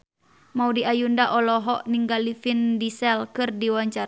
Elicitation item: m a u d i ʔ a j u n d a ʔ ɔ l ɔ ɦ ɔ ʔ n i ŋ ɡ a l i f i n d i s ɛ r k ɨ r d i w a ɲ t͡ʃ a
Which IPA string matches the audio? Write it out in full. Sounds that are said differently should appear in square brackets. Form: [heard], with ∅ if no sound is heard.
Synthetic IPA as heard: m a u d i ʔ a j u n d a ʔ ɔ l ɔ ɦ ɔ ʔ n i ŋ ɡ a l i f i n d i s ɛ [l] k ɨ r d i w a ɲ t͡ʃ a